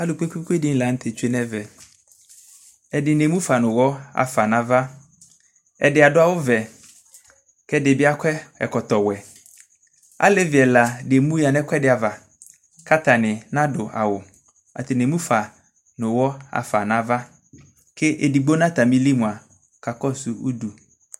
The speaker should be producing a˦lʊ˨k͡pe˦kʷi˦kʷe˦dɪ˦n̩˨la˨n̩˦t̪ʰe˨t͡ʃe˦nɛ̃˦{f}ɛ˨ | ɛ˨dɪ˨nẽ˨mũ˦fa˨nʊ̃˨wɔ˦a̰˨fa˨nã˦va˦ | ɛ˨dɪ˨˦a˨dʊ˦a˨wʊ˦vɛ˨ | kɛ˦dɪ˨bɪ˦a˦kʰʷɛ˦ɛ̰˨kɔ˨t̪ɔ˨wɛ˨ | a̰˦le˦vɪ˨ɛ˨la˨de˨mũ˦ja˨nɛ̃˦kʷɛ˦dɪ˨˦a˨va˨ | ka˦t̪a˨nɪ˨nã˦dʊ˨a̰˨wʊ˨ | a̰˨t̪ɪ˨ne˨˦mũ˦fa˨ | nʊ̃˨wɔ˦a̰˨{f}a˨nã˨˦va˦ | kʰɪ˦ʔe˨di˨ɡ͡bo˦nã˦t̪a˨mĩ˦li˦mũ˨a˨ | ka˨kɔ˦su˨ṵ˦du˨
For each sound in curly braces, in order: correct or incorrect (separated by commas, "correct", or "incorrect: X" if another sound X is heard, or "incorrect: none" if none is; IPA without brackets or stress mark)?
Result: incorrect: v, correct